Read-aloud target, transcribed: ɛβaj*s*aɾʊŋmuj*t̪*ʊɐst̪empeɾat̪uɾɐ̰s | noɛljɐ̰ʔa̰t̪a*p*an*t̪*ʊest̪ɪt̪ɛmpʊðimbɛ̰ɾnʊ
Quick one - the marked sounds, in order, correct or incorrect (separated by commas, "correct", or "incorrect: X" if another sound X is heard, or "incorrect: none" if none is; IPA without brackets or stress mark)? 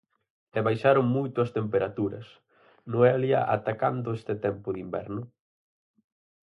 incorrect: ʃ, correct, incorrect: k, incorrect: d̪